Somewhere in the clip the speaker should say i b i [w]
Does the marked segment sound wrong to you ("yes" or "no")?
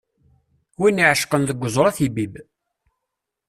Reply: yes